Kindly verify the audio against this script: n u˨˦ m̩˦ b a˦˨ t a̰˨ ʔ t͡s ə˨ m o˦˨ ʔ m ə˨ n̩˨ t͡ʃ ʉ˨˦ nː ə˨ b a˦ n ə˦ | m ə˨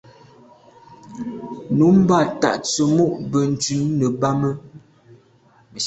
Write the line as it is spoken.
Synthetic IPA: n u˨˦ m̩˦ b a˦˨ t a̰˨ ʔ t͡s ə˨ m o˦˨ ʔ b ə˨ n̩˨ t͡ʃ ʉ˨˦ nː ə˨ b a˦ m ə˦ | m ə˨